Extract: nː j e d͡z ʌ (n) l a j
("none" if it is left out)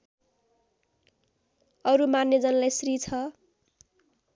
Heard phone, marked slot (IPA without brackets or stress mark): n